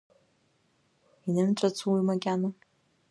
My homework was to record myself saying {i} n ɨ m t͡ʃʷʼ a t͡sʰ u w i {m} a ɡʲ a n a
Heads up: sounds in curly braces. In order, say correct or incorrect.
correct, correct

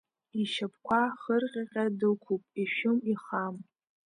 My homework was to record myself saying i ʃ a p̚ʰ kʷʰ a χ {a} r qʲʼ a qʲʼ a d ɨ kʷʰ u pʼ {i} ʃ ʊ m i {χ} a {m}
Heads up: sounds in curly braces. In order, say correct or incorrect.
incorrect: ə, correct, correct, correct

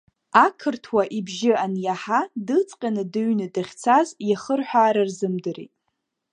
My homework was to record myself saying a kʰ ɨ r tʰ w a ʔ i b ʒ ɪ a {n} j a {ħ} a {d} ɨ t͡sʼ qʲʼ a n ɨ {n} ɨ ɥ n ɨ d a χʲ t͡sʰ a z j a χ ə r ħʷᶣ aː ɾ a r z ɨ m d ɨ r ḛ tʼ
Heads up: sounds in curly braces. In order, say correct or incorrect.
correct, correct, correct, incorrect: d

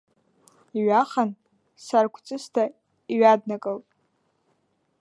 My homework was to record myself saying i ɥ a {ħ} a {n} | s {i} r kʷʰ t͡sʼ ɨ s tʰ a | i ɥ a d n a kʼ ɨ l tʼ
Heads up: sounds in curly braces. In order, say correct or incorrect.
incorrect: χ, correct, incorrect: a

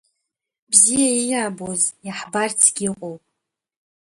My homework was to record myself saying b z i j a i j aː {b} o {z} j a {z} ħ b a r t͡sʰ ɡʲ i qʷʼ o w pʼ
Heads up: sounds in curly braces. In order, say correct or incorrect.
correct, correct, incorrect: none

